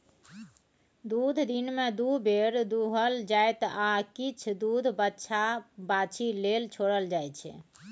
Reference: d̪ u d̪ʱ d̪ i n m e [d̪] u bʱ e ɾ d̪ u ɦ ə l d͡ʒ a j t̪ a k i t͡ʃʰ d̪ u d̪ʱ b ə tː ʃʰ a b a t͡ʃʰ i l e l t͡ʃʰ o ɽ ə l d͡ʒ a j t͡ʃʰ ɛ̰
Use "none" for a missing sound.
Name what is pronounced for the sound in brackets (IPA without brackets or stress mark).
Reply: d̪